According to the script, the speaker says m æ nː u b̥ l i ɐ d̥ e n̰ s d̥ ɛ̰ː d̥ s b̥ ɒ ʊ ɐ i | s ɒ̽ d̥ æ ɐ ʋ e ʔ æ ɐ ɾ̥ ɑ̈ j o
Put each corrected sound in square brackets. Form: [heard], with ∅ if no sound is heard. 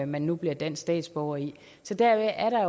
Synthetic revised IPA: m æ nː u b̥ l i ɐ d̥ e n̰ s d̥ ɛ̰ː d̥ s b̥ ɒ ʊ ɐ i | s ɒ̽ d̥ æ ɐ ʋ e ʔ æ ɐ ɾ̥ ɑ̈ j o